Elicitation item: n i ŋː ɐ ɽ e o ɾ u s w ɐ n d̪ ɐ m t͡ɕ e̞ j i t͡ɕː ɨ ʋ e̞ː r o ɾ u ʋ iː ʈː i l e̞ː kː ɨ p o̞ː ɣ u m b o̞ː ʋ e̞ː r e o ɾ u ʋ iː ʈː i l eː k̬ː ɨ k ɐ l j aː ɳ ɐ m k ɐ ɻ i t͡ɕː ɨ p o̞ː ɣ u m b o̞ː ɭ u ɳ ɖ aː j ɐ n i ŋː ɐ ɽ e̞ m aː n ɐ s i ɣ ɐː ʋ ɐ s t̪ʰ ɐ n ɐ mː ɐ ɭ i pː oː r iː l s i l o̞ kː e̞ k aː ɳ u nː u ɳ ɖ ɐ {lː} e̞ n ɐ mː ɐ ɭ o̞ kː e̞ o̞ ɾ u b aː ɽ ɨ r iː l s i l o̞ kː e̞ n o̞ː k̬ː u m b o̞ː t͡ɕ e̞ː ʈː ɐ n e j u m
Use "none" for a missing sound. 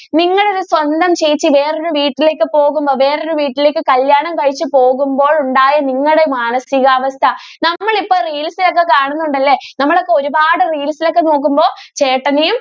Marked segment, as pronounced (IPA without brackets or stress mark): lː